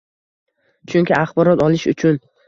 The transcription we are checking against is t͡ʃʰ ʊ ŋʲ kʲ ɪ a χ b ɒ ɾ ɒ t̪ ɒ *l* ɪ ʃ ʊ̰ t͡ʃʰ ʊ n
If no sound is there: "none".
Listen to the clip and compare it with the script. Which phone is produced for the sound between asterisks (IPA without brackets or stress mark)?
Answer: l